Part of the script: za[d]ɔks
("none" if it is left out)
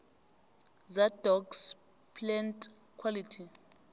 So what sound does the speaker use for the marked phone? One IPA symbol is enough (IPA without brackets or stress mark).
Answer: d